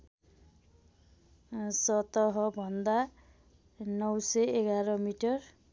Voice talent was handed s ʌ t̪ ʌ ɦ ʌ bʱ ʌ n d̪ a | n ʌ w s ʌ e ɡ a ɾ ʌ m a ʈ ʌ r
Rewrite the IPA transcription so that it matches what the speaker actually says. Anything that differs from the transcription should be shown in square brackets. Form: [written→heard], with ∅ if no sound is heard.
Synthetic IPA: s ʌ t̪ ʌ ɦ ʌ bʱ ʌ n d̪ a | n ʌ w s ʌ e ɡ a ɾ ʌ m [a→i] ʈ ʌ r